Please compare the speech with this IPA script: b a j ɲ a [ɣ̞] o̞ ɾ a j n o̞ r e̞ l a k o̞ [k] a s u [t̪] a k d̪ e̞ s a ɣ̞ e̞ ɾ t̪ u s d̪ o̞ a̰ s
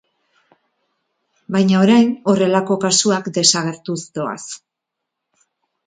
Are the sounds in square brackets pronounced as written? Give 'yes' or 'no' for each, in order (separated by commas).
no, yes, no